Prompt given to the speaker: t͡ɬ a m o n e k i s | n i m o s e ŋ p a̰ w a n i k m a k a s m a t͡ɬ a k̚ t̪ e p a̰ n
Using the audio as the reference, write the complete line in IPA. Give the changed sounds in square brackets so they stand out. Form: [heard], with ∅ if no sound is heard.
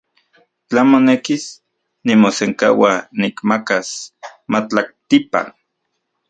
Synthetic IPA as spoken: t͡ɬ a m o n e k i s | n i m o s e ŋ [k] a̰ w a n i k m a k a s m a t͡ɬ a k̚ t̪ [i] p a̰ n